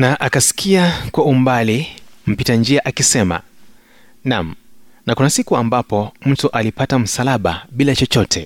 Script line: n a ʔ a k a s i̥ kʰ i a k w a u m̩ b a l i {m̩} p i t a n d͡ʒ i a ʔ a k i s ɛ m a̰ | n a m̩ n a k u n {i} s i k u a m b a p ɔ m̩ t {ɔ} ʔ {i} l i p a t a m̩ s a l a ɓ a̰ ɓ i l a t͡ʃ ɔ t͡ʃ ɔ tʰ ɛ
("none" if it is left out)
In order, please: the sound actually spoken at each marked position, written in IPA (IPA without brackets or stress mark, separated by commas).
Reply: m̩, a, u, a